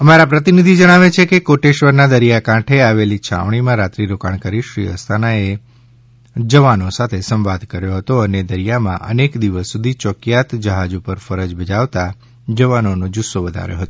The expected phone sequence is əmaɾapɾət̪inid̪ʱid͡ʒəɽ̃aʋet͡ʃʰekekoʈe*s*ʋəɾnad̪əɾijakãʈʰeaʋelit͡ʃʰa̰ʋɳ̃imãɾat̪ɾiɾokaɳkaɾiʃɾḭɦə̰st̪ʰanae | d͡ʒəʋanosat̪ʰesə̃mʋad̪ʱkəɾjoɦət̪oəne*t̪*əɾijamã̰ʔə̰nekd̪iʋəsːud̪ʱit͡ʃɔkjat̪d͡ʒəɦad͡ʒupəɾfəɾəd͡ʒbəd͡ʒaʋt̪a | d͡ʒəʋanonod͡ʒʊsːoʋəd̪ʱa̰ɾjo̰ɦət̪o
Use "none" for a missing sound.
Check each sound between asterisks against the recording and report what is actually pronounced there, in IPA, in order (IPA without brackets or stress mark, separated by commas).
ʃ, d̪